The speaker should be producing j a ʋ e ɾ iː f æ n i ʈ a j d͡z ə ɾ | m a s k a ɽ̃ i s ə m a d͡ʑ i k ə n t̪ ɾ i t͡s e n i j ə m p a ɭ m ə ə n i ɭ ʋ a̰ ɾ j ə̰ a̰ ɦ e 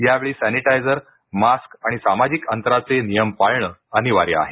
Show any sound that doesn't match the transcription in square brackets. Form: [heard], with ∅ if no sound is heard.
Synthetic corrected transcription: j a ʋ e [ɭ] iː [s] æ n i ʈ a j d͡z ə ɾ | m a s k a ɽ̃ i s [a] m a d͡ʑ i k ə n t̪ ɾ [a] t͡s e n i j ə m p a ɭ [ɳ] ə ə n i [∅] ʋ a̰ ɾ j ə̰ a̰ ɦ e